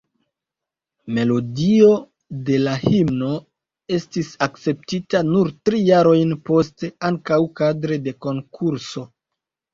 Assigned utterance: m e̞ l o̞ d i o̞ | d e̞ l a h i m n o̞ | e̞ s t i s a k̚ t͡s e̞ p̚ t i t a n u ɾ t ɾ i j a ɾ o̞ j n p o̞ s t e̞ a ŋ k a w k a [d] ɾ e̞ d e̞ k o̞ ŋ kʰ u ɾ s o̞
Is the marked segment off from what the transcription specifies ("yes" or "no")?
no